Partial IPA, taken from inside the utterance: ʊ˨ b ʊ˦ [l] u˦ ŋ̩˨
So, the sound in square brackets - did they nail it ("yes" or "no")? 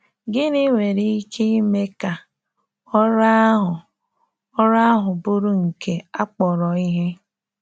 no